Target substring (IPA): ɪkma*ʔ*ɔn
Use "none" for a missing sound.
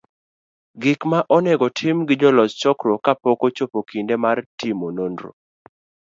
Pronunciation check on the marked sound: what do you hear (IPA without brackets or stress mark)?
ʔ